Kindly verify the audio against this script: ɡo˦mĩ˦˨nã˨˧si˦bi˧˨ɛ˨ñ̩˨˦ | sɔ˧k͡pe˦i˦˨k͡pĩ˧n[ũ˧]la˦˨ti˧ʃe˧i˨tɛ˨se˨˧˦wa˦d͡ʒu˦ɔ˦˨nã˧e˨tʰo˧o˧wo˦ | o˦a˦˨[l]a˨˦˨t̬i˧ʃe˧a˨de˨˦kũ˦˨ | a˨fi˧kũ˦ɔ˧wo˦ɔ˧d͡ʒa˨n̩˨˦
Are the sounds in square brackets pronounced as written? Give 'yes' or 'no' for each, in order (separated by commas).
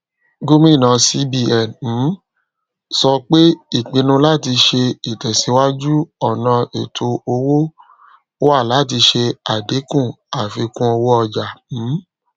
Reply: yes, yes